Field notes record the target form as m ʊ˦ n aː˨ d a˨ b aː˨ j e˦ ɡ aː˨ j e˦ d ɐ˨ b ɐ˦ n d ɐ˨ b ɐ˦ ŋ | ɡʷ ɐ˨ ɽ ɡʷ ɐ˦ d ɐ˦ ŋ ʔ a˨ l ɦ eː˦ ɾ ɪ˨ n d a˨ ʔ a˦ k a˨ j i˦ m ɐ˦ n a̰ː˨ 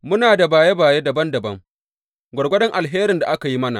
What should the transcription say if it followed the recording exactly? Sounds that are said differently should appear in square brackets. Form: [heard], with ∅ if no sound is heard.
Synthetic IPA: m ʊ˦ n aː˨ d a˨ b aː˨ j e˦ [b] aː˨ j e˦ d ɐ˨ b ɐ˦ n d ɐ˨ b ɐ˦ ŋ | ɡʷ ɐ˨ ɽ ɡʷ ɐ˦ d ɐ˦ ŋ ʔ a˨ l ɦ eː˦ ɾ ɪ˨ n d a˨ ʔ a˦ k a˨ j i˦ m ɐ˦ n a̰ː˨